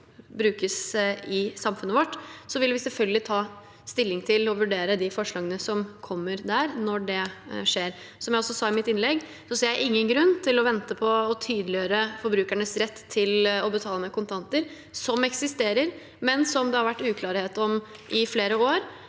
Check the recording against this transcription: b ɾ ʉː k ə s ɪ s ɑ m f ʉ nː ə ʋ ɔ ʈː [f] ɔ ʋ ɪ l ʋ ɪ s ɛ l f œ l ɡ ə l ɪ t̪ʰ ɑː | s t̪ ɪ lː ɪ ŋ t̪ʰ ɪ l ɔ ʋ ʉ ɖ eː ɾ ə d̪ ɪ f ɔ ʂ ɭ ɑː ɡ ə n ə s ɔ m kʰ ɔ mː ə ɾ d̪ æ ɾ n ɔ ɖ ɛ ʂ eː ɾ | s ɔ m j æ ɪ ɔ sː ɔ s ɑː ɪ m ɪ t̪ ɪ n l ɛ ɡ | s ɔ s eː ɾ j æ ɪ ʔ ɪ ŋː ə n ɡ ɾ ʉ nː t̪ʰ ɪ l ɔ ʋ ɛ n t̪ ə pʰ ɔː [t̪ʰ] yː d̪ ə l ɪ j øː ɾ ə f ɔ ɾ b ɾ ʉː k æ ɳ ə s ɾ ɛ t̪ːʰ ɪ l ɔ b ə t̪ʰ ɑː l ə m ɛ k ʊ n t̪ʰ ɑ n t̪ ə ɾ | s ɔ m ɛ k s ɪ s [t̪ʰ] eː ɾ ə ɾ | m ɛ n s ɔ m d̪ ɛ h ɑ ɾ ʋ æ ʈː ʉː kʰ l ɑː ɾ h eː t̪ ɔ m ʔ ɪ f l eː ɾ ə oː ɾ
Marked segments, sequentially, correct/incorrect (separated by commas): incorrect, correct, incorrect